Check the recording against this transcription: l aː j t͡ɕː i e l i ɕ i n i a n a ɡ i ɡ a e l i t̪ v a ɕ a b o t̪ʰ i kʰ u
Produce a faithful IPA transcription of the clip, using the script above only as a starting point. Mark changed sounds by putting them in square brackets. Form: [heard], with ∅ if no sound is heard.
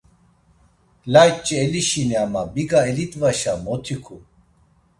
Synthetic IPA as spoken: l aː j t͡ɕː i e l i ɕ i n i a [m] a [b] i ɡ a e l i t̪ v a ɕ a [m] o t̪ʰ i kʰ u